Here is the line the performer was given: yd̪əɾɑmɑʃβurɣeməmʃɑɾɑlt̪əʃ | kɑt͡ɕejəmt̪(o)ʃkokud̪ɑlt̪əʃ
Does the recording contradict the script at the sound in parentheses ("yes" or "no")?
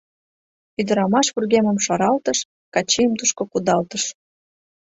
yes